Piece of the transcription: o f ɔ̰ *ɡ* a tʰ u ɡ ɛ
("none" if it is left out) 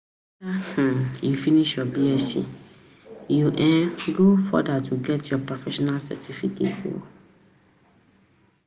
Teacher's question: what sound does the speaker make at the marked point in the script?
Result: d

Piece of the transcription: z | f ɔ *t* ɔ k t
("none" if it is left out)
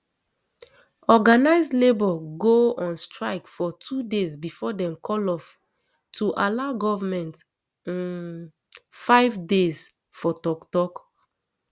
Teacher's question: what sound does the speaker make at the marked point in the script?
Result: t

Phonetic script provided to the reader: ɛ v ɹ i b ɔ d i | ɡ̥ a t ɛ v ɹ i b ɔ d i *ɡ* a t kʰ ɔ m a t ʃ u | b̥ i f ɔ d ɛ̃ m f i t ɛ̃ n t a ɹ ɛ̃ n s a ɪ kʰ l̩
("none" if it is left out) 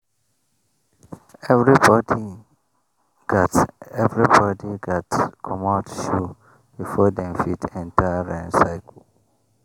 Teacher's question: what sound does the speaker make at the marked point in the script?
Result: ɡ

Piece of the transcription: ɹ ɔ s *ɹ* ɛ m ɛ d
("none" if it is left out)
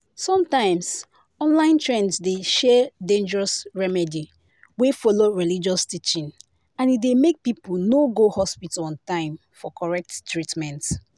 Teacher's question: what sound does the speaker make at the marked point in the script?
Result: ɹ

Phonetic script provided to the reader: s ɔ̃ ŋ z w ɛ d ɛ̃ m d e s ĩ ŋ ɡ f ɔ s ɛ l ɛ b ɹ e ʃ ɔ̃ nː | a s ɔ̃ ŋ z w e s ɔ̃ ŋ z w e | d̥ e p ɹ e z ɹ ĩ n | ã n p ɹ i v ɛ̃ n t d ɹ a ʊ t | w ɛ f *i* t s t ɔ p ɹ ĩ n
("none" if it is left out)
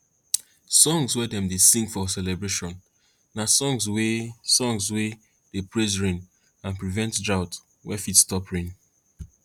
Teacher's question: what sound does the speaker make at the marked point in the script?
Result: i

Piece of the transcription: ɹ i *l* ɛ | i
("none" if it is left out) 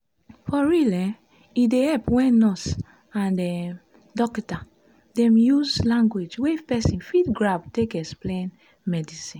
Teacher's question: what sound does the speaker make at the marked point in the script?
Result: l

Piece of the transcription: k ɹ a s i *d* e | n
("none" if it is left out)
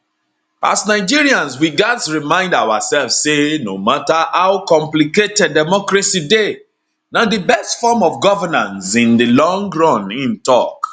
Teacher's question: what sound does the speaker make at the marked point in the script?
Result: d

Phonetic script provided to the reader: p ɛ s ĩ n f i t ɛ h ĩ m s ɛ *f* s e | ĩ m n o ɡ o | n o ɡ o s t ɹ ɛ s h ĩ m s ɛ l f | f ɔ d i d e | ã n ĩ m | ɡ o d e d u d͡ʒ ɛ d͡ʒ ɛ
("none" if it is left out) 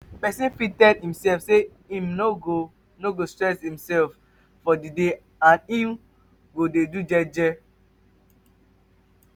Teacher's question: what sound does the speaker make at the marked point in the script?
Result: f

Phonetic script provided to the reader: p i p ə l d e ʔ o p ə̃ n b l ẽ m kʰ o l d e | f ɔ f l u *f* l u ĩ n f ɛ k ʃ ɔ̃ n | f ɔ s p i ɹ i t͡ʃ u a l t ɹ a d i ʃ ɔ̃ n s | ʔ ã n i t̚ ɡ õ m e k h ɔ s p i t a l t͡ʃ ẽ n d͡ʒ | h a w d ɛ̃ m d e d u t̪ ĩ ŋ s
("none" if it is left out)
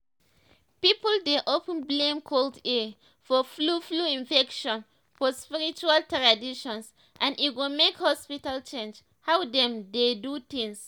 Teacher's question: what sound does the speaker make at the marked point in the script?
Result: f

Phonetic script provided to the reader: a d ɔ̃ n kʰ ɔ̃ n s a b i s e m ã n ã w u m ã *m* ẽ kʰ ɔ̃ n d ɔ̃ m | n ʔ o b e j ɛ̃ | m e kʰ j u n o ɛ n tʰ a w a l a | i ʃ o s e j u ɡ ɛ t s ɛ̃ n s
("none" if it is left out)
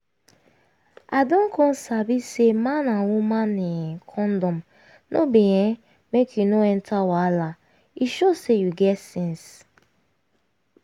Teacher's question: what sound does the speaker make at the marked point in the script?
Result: n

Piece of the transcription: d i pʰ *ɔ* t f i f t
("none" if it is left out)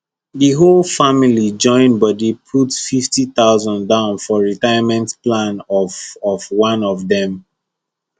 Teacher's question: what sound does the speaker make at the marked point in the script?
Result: u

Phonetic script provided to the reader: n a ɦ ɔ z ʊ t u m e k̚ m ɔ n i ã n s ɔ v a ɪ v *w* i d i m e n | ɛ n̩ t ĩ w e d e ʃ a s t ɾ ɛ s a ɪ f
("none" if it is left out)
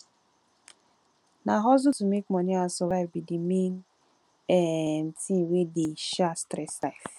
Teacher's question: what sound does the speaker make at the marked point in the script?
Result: b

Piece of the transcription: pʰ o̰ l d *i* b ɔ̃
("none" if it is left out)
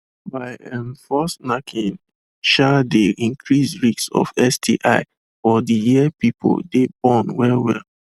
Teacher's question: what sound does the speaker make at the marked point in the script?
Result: e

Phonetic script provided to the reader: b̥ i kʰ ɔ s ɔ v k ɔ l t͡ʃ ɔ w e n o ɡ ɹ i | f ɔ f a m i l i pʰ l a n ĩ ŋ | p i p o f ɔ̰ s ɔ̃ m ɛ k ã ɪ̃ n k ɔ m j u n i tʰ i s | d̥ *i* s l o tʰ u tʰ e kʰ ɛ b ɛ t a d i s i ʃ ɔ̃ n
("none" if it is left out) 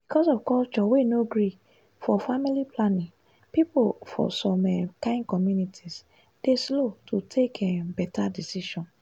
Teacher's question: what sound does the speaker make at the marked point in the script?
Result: e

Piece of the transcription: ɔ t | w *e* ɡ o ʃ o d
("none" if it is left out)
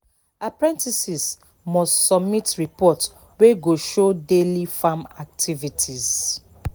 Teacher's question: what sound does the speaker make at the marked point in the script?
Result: e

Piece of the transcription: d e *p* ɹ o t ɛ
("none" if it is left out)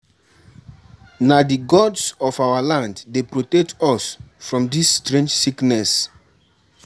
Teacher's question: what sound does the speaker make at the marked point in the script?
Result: p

